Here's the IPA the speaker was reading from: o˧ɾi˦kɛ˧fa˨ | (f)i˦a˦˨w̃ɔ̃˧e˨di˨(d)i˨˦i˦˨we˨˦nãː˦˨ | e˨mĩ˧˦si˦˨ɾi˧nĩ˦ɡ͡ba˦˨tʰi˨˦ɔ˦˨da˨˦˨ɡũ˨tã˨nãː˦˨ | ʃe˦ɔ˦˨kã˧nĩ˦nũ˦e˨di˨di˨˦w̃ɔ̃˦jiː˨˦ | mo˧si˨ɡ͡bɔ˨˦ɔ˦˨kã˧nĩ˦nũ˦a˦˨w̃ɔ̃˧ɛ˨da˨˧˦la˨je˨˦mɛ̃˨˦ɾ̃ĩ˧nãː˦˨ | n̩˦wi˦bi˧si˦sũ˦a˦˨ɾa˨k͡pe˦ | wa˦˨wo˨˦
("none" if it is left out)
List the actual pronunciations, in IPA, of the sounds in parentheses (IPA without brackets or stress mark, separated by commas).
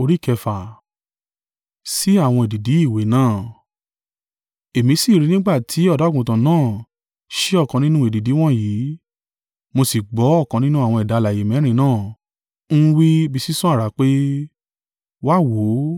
s, d